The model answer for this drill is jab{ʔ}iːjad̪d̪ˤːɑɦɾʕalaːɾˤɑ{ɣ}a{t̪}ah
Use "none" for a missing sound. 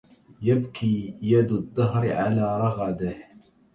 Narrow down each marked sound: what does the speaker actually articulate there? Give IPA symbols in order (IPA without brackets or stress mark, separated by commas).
k, ɣ, d̪